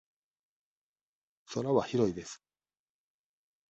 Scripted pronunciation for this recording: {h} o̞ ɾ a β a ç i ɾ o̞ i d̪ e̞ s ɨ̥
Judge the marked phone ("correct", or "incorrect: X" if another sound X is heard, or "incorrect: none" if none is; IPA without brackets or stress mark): incorrect: s